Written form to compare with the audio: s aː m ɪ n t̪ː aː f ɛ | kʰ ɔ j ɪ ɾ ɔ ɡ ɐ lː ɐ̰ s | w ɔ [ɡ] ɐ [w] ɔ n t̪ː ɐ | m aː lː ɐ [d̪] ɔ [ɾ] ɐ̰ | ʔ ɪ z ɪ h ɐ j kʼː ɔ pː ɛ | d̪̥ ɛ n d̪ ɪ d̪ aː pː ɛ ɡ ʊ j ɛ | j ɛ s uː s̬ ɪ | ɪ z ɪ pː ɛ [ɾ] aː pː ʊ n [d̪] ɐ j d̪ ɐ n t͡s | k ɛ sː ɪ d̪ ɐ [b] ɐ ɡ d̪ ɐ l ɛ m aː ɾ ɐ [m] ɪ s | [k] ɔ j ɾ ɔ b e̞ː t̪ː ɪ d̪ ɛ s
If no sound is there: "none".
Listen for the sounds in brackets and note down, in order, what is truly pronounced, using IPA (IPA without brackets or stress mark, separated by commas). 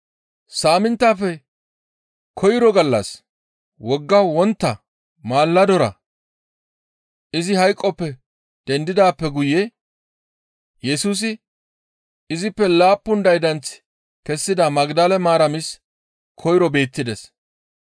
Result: ɡː, w, d̪, ɾ, l, d̪, m, m, kʰ